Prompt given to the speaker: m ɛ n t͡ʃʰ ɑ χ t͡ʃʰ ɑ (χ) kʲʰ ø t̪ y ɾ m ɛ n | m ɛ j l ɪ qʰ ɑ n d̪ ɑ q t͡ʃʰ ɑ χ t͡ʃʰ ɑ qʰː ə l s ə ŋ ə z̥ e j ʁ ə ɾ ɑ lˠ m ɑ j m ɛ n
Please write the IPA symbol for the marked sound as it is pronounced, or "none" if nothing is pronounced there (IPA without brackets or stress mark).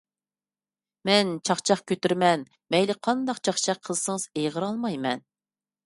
χ